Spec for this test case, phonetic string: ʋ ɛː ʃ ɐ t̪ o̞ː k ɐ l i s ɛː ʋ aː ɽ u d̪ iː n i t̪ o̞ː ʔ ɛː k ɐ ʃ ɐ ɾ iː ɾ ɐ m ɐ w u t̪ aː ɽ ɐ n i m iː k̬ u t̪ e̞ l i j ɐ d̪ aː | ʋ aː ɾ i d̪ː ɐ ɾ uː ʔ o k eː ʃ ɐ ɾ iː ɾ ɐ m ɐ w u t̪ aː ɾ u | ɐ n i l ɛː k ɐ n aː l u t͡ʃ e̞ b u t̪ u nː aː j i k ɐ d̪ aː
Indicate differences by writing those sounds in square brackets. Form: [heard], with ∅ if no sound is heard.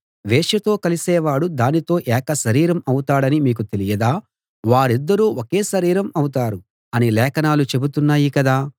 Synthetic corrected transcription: ʋ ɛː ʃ ɐ t̪ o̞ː k ɐ l i s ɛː ʋ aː ɽ u d̪ [aː] n i t̪ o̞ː ʔ ɛː k ɐ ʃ ɐ ɾ iː ɾ ɐ m ɐ w u t̪ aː ɽ ɐ n i m iː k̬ u t̪ e̞ l i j ɐ d̪ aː | ʋ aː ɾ i d̪ː ɐ ɾ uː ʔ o k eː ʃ ɐ ɾ iː ɾ ɐ m ɐ w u t̪ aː ɾ u | ɐ n i l ɛː k ɐ n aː l u t͡ʃ e̞ b u t̪ u nː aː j i k ɐ d̪ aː